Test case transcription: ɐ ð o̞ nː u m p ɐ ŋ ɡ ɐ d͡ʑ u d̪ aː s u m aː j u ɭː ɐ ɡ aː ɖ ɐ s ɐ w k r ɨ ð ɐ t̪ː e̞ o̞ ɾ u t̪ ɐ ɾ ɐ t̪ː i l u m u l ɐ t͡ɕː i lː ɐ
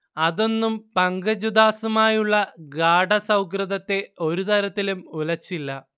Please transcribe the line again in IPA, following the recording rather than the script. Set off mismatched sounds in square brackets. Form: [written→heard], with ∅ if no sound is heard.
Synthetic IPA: ɐ ð o̞ nː u m p ɐ ŋ ɡ ɐ d͡ʑ u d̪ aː s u m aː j u ɭː ɐ ɡ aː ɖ ɐ s ɐ w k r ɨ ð ɐ t̪ː e̞ o̞ ɾ u t̪ ɐ ɾ ɐ t̪ː i l u m u l ɐ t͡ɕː i lː ɐ

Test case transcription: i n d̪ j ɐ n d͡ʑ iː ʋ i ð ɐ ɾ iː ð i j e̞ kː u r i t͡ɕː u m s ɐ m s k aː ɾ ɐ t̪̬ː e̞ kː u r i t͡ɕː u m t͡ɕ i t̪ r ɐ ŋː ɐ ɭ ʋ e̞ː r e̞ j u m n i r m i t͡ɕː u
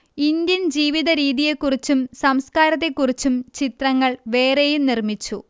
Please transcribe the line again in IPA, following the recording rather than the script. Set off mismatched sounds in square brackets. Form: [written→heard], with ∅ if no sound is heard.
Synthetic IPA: i n d̪ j ɐ n d͡ʑ iː ʋ i ð ɐ ɾ iː ð i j e̞ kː u r i t͡ɕː u m s ɐ m s k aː ɾ ɐ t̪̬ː e̞ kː u r i t͡ɕː u m t͡ɕ i t̪ r ɐ ŋː ɐ ɭ ʋ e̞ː r e̞ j u m n i r m i t͡ɕː u

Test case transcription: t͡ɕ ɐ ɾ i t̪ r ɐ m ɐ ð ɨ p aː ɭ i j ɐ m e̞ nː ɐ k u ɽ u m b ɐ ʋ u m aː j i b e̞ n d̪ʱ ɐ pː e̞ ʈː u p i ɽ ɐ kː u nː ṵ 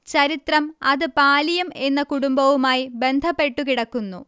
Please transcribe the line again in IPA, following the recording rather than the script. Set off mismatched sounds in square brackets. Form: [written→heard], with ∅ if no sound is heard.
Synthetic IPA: t͡ɕ ɐ ɾ i t̪ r ɐ m ɐ ð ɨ p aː [ɭ→l] i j ɐ m e̞ nː ɐ k u ɽ u m b ɐ ʋ u m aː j i b e̞ n d̪ʱ ɐ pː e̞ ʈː u [p→k] i ɽ ɐ kː u nː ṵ

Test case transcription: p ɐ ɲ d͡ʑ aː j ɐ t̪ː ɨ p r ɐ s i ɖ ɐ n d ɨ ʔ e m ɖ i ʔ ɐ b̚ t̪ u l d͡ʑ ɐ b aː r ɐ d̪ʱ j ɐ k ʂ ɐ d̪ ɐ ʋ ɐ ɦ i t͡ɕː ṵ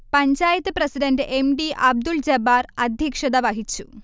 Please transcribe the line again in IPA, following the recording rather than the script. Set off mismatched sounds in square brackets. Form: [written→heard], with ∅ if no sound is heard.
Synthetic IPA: p ɐ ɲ d͡ʑ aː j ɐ t̪ː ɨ p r ɐ s i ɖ ɐ n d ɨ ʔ e m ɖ i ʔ ɐ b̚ [t̪→d̪] u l d͡ʑ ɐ b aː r ɐ d̪ʱ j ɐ k ʂ ɐ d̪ ɐ ʋ ɐ ɦ i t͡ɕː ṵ

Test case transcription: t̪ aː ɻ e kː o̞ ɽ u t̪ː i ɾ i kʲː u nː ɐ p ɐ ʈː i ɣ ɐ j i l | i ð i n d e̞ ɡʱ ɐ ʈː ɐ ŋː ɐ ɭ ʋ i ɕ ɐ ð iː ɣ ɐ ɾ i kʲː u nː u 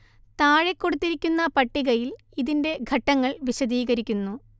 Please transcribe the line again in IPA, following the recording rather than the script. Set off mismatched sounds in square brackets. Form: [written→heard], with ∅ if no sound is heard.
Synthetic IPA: t̪ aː ɻ e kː o̞ ɽ u t̪ː i ɾ i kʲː u nː ɐ p ɐ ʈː i ɣ ɐ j i l | i ð i n d e̞ ɡʱ ɐ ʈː ɐ ŋː ɐ ɭ ʋ i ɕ ɐ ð iː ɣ ɐ ɾ i kʲː u nː u

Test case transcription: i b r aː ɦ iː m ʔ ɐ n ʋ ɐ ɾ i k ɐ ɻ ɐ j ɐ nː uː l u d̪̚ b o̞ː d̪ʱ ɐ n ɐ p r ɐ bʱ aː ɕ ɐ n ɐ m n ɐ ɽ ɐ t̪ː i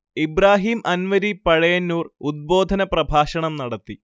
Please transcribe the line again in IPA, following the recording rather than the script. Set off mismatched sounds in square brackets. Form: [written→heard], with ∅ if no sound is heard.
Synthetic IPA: i b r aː ɦ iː m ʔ ɐ n ʋ ɐ ɾ i [k→p] ɐ ɻ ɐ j ɐ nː uː [l→r] u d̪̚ b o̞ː d̪ʱ ɐ n ɐ p r ɐ bʱ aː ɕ ɐ [n→ɳ] ɐ m n ɐ ɽ ɐ t̪ː i

